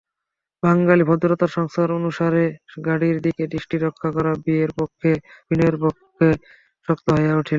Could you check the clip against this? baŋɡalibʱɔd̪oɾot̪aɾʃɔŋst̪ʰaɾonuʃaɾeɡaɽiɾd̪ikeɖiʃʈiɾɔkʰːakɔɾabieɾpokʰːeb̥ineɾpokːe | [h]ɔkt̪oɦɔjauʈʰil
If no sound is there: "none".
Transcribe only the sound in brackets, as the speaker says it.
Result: ʃ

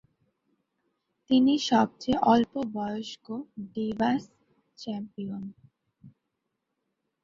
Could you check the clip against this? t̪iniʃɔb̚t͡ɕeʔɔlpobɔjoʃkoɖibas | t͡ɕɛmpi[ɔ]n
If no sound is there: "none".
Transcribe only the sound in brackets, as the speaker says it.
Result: o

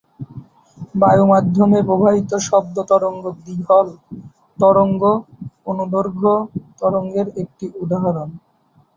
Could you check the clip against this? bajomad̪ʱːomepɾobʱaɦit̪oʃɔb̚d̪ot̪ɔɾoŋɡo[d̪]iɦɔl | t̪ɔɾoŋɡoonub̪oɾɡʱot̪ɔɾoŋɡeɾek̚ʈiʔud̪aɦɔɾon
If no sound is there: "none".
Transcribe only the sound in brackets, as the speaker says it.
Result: d̪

